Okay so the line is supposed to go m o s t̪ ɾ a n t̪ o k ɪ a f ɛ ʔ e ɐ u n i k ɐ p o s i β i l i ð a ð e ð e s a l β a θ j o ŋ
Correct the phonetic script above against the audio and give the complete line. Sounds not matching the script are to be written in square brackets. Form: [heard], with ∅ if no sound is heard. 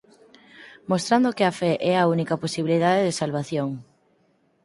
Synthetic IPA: m o s t̪ ɾ a n [d̪] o k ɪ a f ɛ ʔ [ɛ] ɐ u n i k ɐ p o s i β i l i ð a ð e ð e s a l β a θ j o ŋ